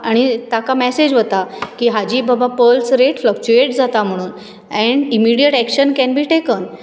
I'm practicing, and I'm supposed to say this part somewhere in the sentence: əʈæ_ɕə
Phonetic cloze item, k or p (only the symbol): k